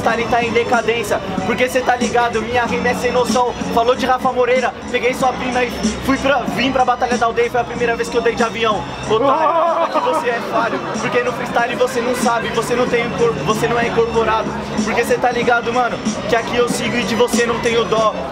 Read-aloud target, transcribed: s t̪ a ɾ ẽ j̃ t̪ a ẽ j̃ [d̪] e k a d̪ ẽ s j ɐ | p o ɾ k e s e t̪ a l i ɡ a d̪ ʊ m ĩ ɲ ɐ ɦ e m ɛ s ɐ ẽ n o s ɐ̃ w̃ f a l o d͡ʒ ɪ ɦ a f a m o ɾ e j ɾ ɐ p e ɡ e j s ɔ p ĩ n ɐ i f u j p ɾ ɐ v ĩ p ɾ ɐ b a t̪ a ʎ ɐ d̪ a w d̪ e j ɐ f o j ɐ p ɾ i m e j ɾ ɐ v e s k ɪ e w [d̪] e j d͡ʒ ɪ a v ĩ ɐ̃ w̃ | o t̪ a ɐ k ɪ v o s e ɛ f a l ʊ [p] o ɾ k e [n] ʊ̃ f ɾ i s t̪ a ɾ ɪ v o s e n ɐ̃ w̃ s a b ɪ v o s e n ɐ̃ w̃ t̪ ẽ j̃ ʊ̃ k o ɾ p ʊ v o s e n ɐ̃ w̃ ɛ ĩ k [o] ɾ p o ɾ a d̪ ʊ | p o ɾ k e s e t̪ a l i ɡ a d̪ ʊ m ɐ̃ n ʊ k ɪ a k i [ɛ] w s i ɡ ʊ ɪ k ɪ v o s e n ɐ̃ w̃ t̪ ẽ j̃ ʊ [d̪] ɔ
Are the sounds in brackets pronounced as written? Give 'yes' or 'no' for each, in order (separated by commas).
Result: yes, yes, yes, yes, yes, no, yes